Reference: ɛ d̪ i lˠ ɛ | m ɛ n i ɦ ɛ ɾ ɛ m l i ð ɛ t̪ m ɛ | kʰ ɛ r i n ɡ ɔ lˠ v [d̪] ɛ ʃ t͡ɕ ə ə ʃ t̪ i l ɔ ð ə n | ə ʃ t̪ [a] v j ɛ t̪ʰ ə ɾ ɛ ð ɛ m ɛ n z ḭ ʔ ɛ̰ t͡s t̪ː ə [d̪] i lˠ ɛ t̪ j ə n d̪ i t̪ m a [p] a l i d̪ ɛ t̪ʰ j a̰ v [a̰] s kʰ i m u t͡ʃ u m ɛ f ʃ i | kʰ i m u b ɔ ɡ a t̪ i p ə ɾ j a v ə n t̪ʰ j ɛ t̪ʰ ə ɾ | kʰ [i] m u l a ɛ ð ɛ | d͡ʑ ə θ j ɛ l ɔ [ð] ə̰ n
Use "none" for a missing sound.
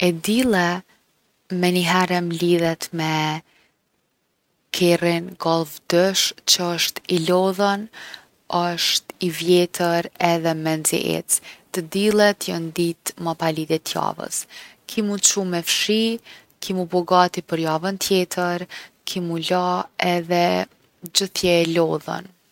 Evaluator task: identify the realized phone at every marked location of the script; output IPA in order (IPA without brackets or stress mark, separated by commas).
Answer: d̪, i, d̪, p, ə̰, i, ð